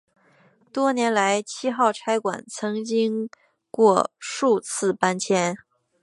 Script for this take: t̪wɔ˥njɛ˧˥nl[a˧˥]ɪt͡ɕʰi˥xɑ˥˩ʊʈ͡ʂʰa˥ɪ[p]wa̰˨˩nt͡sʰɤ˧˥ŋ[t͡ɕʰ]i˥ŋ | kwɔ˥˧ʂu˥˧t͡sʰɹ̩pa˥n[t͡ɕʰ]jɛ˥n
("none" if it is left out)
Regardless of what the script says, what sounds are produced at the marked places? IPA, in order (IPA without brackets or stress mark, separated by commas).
a˧˥, k, t͡ɕ, t͡ɕʰ